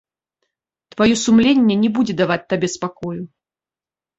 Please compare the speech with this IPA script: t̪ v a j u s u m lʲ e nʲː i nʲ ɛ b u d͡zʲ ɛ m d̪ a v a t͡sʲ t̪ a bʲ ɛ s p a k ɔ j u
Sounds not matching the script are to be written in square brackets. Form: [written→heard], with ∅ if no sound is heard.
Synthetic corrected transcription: t̪ v a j [u→ɔ] s u m lʲ e nʲː [i→ɛ] nʲ ɛ b u d͡zʲ ɛ [m→∅] d̪ a v a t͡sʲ t̪ a bʲ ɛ s p a k ɔ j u

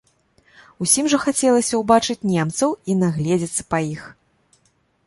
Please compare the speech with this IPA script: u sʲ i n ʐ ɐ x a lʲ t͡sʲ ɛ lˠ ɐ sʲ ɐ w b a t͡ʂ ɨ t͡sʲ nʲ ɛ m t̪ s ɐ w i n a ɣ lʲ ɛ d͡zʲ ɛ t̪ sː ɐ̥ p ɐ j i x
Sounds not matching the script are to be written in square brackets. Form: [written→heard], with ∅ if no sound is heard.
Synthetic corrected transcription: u sʲ i [n→m] ʐ ɐ x a [lʲ→∅] t͡sʲ ɛ lˠ ɐ sʲ ɐ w b a t͡ʂ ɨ t͡sʲ nʲ ɛ m t̪ s ɐ w i n a ɣ lʲ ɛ d͡zʲ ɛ t̪ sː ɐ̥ p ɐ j i x

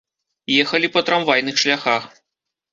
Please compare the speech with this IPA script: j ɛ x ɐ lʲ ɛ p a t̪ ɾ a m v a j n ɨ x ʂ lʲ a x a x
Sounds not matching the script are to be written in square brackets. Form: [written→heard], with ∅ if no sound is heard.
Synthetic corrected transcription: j ɛ x ɐ lʲ [ɛ→i] p [a→ɐ] t̪ ɾ a m v a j n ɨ x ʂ lʲ a x a x

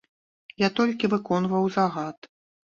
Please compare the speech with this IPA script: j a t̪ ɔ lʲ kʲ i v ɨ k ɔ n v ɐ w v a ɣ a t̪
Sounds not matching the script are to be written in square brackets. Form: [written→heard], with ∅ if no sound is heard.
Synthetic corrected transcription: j a t̪ ɔ lʲ kʲ i v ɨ k ɔ n v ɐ w [v→z] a ɣ a t̪

